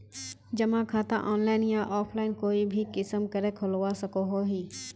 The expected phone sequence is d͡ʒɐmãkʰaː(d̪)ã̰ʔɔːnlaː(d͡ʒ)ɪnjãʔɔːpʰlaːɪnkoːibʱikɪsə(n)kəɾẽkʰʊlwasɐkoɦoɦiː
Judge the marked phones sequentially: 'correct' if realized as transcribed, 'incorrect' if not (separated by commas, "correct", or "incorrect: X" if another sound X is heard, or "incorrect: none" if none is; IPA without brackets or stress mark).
incorrect: t̪, incorrect: none, incorrect: m